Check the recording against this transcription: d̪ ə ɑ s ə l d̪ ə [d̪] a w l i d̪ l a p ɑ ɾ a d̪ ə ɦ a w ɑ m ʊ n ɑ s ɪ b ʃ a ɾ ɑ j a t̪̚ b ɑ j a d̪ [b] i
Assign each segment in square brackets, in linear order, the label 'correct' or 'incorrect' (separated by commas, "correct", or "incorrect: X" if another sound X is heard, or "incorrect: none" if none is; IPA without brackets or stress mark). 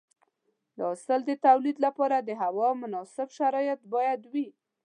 incorrect: t̪, incorrect: w